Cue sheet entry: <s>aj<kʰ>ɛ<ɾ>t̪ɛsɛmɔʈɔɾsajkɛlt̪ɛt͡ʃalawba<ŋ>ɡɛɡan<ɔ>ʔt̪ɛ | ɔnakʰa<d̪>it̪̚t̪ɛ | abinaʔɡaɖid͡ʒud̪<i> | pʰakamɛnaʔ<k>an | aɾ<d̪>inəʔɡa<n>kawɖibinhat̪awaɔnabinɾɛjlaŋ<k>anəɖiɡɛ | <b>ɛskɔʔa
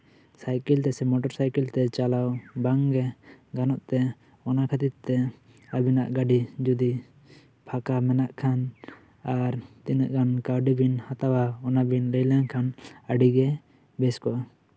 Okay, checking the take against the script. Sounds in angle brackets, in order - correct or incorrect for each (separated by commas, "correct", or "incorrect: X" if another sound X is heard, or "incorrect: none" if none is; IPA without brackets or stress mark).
correct, incorrect: k, incorrect: l, correct, correct, incorrect: t̪, correct, incorrect: kʰ, incorrect: t̪, correct, incorrect: kʰ, correct